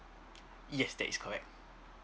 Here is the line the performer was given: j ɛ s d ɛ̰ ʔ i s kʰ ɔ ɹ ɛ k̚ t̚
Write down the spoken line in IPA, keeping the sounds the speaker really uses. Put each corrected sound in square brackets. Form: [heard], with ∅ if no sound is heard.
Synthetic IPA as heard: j ɛ s d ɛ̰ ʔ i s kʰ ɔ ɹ ɛ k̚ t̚